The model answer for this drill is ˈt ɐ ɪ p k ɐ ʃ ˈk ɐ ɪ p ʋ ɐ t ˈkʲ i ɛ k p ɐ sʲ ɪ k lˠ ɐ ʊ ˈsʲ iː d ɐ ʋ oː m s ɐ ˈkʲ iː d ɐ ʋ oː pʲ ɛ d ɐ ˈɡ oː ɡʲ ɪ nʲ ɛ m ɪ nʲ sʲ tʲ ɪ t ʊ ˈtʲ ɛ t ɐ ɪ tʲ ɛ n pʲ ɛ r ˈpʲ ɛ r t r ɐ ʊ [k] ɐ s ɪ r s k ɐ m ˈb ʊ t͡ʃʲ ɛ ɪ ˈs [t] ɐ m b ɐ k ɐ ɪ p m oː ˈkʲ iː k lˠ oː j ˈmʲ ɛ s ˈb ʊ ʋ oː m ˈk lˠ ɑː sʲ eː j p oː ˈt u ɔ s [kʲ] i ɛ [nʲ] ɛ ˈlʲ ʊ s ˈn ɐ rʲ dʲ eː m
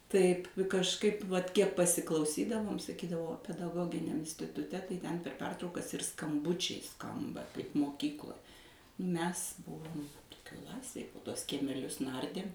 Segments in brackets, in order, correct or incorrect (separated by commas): correct, incorrect, correct, incorrect